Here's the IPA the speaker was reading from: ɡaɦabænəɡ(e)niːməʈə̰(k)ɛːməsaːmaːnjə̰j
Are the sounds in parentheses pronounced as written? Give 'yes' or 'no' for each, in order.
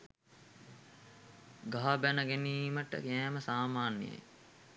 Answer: yes, yes

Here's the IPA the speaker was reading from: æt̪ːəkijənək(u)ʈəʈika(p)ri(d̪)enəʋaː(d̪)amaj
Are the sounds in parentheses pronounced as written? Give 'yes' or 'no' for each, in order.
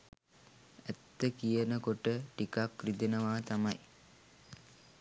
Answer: no, no, yes, no

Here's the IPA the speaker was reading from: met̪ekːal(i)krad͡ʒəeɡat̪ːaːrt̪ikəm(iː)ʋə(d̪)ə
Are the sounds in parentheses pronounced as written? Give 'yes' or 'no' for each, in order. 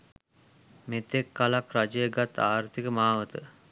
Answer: no, no, no

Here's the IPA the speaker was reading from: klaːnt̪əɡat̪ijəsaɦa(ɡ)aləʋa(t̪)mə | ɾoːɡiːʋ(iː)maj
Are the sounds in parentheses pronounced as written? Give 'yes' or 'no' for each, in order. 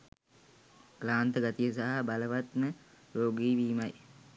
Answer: no, yes, yes

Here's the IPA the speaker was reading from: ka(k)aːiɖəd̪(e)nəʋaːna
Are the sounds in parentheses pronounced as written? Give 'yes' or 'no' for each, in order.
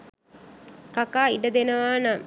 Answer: yes, yes

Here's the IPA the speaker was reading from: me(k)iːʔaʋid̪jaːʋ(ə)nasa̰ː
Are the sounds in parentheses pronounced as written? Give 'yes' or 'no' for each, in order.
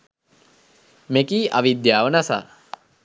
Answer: yes, yes

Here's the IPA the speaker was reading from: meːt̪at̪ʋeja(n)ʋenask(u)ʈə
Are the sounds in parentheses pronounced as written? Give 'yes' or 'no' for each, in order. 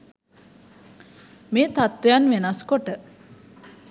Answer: yes, no

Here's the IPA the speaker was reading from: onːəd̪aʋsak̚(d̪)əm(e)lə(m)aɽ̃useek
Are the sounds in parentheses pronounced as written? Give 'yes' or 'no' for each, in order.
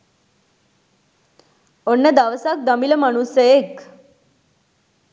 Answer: yes, no, yes

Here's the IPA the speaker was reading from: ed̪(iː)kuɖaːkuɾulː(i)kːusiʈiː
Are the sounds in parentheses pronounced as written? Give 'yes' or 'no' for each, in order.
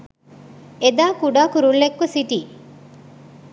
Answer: no, no

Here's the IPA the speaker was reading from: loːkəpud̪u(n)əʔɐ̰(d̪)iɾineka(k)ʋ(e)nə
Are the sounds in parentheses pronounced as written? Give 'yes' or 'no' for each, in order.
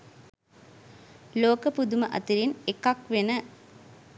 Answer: no, no, yes, yes

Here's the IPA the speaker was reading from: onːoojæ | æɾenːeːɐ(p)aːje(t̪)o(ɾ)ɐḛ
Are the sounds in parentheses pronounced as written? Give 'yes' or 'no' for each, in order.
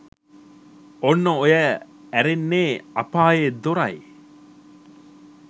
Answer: yes, no, yes

